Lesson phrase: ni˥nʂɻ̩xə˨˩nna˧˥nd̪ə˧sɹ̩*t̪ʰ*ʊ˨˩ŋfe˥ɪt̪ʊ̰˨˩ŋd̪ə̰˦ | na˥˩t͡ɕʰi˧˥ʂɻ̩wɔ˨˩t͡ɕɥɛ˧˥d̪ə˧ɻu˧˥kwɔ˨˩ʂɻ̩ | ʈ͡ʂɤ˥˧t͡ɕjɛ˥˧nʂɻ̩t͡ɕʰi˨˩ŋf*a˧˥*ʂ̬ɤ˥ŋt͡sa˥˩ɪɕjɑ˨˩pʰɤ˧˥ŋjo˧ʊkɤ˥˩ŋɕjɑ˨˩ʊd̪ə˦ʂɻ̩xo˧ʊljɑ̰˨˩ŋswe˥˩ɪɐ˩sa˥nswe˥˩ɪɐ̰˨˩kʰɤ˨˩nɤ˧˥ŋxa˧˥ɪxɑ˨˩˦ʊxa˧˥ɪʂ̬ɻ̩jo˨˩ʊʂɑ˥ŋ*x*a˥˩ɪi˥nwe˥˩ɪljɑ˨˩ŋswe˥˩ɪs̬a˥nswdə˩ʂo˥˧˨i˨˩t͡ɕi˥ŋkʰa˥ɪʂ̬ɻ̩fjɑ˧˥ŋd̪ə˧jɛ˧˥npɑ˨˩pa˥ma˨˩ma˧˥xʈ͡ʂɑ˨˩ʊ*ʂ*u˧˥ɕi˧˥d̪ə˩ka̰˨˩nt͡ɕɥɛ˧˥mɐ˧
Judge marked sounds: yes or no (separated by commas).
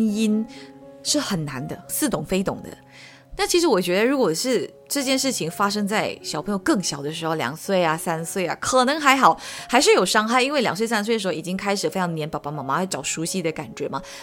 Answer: no, no, yes, yes